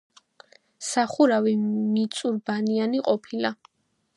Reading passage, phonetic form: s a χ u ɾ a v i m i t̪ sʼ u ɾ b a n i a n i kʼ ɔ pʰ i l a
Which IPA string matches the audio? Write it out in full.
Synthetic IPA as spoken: s a χ u ɾ a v i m i t̪ sʼ u ɾ b a n i a n i qʼ ɔ pʰ i l a